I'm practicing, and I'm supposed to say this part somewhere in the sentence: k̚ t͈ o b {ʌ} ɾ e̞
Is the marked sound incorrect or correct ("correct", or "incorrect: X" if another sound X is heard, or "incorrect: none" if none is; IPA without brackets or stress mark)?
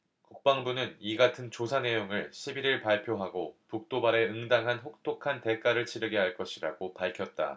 incorrect: a